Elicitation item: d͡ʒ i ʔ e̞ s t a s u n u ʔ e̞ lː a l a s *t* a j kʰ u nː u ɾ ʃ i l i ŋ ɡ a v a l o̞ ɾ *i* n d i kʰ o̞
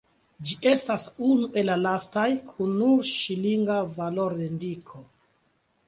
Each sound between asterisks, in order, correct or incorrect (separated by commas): correct, incorrect